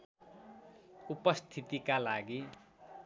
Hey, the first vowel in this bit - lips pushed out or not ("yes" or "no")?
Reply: yes